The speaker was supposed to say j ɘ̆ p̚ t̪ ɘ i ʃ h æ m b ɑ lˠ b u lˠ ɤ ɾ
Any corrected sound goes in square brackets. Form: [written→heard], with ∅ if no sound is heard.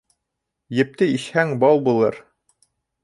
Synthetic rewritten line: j ɘ̆ p̚ t̪ ɘ i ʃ h æ [m→ŋ] b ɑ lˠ b u lˠ ɤ ɾ